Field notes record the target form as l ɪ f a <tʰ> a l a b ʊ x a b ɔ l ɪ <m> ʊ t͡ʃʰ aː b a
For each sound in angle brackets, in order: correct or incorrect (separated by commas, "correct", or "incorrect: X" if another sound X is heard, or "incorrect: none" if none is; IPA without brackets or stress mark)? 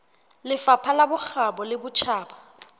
incorrect: pʰ, incorrect: b